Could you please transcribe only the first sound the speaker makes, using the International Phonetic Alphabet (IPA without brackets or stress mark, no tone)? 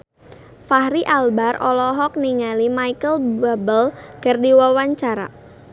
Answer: f